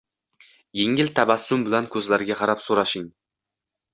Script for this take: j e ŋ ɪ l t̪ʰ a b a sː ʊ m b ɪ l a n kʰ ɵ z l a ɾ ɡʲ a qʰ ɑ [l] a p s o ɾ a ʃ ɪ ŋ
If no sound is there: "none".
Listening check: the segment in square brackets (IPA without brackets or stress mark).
ɾ